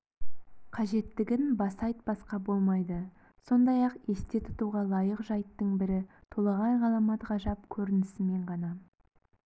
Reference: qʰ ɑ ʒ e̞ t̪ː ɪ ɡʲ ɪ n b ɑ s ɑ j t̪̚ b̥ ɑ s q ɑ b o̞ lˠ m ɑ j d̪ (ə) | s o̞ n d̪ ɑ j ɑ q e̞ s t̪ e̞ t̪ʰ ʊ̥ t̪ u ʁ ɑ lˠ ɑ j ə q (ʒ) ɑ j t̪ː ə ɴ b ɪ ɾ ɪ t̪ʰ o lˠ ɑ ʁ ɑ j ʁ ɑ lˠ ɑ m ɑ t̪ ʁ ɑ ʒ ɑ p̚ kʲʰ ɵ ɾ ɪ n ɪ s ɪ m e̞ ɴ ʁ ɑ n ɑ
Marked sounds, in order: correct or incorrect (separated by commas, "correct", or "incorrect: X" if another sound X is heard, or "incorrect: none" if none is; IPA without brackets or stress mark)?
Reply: correct, correct